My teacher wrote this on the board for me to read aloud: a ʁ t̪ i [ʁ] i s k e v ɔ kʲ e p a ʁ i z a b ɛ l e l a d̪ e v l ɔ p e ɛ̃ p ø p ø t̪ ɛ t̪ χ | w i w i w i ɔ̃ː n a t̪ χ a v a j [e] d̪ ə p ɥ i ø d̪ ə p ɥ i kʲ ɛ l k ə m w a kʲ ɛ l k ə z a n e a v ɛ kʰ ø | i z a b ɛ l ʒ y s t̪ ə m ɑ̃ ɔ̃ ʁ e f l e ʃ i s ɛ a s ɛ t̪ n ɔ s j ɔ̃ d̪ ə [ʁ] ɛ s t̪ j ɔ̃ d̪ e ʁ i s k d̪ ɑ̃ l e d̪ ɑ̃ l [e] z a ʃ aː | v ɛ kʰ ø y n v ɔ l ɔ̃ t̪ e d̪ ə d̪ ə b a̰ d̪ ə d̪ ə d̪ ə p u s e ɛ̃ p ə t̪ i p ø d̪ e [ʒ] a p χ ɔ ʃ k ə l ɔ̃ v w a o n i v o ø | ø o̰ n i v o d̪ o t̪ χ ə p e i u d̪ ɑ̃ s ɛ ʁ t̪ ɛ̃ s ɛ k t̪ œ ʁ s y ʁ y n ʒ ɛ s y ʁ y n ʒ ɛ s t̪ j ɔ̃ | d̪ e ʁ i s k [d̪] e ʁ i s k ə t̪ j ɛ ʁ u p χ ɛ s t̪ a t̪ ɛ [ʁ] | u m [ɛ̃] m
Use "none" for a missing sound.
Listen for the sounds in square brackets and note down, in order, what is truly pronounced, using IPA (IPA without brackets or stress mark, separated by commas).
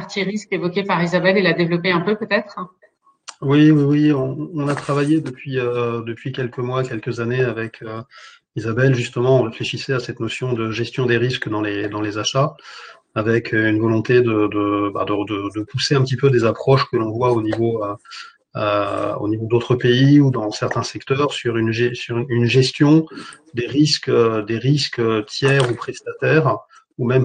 ʁ, e, ʒ, e, z, d̪, ʁ, ɛ